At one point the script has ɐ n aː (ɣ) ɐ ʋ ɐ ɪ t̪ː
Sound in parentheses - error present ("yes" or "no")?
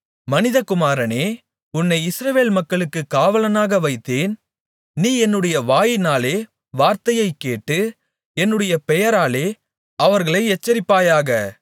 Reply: no